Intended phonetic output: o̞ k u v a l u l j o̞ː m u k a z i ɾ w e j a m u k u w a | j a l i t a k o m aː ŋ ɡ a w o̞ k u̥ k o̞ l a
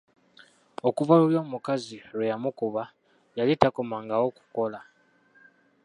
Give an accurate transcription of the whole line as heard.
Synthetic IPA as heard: o̞ k u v a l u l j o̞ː m u k a z i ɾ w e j a m u k u β a | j a l i t a k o m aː ŋ ɡ a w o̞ k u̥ k o̞ l a